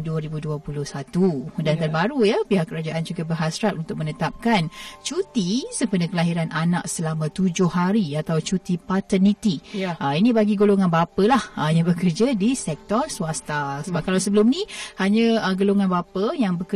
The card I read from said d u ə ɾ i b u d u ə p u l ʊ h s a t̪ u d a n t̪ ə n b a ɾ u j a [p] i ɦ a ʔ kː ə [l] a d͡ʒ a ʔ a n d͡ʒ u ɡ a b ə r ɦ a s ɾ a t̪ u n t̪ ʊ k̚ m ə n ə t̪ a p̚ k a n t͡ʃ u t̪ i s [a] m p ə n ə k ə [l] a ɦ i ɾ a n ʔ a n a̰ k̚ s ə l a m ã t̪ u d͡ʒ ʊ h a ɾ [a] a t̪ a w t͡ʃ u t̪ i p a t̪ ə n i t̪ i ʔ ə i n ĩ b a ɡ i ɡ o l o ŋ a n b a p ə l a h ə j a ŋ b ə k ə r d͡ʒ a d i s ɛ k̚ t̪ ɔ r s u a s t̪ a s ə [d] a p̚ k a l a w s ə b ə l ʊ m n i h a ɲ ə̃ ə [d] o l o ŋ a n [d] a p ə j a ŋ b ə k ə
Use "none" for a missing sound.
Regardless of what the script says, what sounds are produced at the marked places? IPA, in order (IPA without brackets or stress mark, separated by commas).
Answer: p, ɾ, ə, l, i, b, ɡ, b